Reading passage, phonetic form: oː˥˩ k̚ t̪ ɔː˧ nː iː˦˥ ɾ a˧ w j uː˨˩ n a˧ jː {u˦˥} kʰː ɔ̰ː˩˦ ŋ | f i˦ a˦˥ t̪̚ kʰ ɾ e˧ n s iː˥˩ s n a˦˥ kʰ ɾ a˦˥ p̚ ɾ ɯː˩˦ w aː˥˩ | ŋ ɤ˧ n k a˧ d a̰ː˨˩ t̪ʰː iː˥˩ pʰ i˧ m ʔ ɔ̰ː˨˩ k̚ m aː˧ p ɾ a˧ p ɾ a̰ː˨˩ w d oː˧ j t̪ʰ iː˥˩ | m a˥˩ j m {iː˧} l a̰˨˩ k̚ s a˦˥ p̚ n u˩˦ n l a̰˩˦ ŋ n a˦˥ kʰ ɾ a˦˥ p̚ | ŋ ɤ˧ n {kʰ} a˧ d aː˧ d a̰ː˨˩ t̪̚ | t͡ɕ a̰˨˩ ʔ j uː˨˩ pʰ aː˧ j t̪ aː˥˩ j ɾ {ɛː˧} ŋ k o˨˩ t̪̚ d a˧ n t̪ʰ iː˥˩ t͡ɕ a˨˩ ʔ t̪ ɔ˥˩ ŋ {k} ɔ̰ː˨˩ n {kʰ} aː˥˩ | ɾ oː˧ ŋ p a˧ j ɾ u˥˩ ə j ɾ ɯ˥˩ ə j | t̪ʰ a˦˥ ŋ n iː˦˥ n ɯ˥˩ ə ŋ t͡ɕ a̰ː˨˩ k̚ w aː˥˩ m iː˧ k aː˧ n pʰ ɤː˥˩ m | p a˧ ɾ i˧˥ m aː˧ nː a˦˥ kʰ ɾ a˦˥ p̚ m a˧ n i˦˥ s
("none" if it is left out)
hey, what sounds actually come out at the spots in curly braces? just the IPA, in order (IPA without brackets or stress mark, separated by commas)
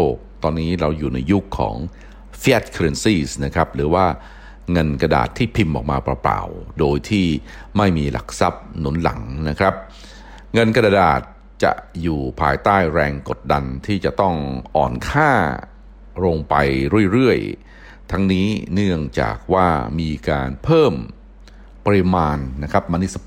u˦˥, iː˧, k, ɛː˧, ʔ, kʰ